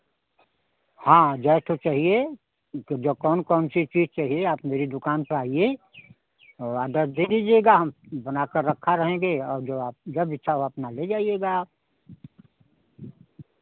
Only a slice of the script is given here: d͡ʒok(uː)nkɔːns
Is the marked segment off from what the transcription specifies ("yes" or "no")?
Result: yes